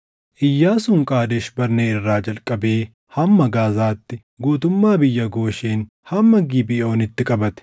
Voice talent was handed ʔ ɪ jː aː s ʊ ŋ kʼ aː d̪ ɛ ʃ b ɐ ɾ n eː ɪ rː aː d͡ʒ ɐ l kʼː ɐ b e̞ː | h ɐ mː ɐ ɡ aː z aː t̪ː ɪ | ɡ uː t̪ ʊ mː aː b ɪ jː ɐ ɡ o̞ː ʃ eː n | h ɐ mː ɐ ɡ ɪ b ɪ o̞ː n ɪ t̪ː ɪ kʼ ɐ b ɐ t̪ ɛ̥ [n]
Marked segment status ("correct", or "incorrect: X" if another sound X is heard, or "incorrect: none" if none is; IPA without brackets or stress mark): incorrect: none